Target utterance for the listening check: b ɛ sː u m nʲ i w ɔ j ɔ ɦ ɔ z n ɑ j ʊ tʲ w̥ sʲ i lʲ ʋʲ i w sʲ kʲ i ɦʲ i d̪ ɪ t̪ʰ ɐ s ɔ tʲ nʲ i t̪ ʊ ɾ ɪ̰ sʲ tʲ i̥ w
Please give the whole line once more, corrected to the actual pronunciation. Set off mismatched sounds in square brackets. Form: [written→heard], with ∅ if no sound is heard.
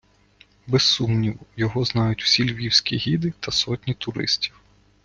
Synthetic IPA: b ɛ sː u m nʲ i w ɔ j ɔ ɦ ɔ z n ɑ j ʊ tʲ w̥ sʲ i lʲ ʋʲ i w sʲ kʲ i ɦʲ i d̪ ɪ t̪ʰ ɐ s ɔ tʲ nʲ i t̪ ʊ ɾ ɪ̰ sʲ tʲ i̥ w